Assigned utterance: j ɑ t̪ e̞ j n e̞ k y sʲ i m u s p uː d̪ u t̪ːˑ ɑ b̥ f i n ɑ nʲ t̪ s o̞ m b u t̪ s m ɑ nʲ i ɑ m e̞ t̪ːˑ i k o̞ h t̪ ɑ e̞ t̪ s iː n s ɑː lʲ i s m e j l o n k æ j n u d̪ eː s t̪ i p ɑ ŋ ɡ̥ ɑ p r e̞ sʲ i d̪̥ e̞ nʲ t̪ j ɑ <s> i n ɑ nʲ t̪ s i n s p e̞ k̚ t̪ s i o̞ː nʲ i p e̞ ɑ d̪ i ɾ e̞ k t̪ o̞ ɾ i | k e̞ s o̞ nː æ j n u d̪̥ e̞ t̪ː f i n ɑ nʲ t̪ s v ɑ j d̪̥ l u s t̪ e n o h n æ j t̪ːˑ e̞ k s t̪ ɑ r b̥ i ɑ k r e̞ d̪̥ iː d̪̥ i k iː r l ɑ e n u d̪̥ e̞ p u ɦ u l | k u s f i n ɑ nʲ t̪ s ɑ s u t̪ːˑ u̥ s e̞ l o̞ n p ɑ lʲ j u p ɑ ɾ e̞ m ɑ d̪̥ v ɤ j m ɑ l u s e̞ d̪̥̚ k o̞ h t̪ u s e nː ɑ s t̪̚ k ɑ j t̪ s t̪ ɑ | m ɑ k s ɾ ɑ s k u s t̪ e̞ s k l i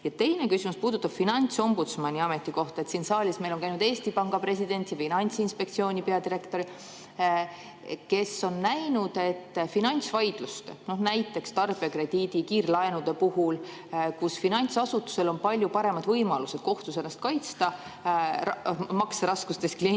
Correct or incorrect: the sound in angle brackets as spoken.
incorrect: f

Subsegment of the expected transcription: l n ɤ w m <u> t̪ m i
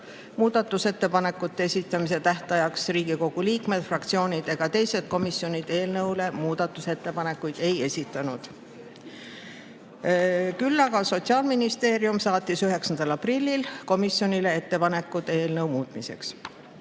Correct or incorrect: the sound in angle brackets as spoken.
incorrect: uː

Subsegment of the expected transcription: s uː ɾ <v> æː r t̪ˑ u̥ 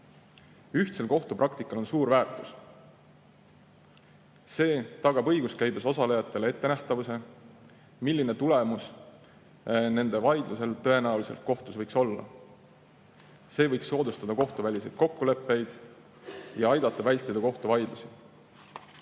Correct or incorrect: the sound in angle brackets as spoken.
correct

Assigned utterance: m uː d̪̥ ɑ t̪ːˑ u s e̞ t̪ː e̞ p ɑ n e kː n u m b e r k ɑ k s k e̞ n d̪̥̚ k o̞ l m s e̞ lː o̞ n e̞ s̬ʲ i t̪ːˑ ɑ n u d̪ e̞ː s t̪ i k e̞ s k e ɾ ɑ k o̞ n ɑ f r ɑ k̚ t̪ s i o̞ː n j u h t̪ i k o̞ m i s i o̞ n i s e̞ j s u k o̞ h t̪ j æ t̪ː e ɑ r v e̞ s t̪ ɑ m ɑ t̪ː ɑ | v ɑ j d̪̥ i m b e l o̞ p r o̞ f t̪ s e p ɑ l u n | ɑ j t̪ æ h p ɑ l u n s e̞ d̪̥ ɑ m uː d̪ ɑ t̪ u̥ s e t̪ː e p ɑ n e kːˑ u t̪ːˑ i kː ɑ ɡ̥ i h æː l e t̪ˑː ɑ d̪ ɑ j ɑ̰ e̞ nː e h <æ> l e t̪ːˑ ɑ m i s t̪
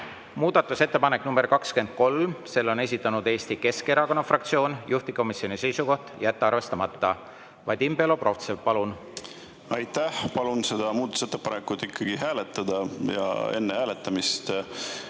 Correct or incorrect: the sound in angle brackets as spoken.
incorrect: æː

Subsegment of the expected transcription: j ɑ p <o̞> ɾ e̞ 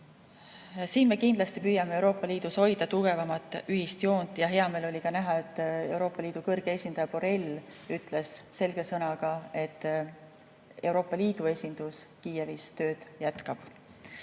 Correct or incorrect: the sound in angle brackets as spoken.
correct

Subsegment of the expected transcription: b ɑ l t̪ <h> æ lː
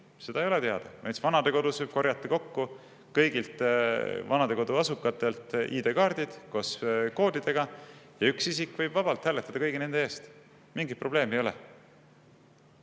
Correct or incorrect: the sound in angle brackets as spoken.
correct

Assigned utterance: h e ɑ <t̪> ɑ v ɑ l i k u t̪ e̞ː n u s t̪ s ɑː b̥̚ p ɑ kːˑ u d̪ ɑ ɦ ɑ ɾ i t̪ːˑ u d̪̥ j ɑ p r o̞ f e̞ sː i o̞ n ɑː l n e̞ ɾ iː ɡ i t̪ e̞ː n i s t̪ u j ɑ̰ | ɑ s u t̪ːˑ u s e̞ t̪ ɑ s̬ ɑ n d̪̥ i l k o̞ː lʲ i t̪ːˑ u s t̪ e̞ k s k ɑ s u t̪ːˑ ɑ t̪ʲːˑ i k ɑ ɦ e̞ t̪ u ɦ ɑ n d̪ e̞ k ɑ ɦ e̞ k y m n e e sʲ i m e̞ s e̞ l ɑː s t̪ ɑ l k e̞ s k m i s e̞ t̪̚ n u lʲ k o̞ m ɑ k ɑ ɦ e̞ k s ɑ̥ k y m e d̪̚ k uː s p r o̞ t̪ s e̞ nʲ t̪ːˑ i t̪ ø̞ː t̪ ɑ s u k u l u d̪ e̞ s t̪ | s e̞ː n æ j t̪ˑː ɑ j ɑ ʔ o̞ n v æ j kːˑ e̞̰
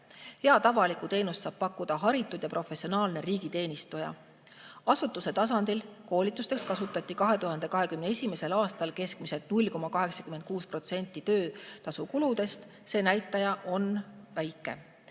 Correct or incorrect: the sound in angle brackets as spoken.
correct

